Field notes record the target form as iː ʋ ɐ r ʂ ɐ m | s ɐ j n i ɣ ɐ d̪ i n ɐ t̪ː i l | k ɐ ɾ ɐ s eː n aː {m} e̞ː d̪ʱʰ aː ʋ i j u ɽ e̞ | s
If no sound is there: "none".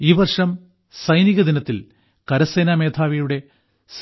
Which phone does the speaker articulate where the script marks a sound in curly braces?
m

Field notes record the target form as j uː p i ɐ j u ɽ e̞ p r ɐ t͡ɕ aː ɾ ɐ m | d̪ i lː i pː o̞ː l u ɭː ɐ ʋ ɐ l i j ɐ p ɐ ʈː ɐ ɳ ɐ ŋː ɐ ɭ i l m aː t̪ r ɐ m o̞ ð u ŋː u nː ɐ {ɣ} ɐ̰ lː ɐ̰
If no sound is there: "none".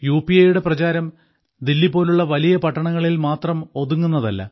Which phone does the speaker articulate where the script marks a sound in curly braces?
ð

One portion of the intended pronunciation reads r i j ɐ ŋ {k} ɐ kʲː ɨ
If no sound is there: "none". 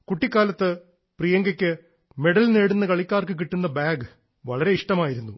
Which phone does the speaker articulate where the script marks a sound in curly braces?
ɡ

